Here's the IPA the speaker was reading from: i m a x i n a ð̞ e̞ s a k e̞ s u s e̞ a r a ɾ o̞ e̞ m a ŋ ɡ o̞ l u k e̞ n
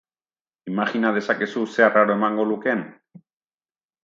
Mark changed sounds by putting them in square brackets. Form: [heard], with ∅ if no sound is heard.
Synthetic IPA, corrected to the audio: i m a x i n a ð̞ e̞ s a k e̞ s u s e̞ a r a ɾ o̞ e̞ m a ŋ ɡ o̞ l u k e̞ n